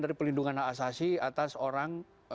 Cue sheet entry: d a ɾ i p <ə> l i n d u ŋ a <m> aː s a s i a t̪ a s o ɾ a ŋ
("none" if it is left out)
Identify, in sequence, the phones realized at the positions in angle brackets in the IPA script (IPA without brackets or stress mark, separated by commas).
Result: ə, n